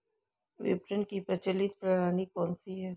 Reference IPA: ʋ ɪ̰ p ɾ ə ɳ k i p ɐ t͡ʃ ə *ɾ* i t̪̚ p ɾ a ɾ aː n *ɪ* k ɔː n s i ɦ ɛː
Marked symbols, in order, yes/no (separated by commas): no, no